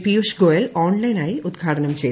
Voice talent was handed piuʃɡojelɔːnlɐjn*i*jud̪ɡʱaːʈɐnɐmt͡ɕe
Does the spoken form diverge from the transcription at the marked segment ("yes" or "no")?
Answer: yes